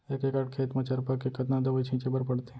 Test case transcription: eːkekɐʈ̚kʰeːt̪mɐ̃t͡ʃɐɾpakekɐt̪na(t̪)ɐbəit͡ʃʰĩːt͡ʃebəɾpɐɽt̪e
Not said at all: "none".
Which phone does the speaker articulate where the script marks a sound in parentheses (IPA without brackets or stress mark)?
d̪